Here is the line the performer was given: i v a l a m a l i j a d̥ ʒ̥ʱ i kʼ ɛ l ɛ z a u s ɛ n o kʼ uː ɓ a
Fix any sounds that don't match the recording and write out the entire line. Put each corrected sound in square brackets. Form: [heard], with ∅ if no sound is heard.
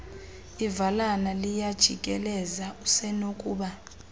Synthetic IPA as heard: i v a l a [n] a l i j a d̥ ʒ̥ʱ i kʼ ɛ l ɛ z a u s ɛ n o kʼ uː ɓ a